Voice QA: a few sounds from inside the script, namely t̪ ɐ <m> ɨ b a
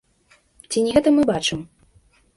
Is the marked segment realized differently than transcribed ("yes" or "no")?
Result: no